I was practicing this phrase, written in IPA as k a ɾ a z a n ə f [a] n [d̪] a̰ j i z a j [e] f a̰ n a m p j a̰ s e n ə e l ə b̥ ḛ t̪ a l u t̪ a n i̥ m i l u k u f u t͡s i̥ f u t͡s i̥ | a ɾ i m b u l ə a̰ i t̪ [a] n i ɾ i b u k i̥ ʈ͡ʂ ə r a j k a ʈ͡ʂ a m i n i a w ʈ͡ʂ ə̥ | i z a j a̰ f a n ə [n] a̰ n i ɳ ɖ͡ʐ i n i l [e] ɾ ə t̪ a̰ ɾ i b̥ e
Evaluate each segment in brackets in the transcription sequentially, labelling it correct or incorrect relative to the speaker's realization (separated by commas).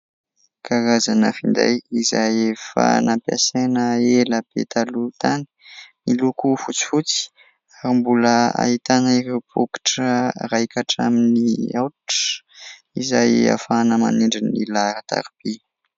incorrect, correct, correct, correct, incorrect, incorrect